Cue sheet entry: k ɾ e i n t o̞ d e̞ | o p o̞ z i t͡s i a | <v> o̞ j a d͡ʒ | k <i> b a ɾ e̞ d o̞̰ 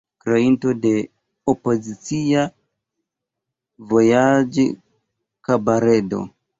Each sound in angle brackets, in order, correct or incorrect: correct, incorrect

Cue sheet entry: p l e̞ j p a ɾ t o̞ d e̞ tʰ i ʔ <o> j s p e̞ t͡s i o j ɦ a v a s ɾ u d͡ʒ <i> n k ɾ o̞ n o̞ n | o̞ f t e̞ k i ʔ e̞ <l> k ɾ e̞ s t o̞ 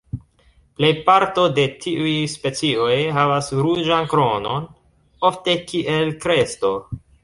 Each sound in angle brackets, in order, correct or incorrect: incorrect, incorrect, correct

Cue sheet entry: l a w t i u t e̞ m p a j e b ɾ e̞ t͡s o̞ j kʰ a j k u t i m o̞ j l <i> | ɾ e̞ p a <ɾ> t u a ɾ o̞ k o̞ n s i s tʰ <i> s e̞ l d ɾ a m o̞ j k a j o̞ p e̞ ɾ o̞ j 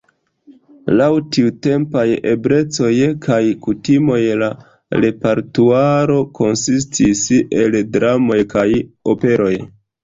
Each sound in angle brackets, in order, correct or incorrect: incorrect, correct, correct

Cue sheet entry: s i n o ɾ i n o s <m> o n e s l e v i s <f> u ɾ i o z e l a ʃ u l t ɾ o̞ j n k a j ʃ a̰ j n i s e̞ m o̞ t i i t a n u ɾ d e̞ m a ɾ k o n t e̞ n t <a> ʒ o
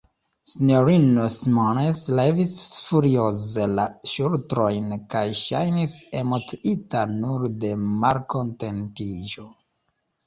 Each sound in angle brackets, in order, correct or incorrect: correct, correct, incorrect

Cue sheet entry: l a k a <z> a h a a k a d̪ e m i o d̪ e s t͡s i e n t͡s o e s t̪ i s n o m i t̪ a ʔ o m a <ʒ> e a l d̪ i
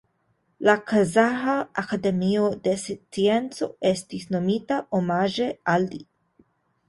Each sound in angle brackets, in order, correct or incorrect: correct, correct

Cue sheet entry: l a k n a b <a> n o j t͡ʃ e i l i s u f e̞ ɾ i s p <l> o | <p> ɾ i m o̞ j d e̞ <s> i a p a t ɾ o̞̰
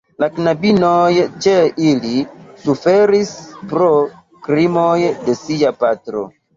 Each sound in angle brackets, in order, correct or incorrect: incorrect, incorrect, incorrect, correct

